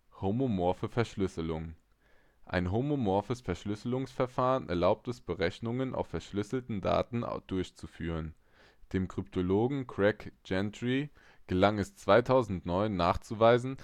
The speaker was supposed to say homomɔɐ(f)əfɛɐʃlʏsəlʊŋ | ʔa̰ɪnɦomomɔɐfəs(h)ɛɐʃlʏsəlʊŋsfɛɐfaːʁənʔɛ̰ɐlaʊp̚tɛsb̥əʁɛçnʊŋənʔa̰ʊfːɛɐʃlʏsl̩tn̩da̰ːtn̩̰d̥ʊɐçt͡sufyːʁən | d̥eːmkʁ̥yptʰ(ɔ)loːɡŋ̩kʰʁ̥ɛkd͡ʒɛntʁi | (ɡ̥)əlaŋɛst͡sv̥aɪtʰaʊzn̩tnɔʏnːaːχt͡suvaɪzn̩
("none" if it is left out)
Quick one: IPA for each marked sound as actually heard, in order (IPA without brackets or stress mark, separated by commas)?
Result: f, f, o, ɡ̥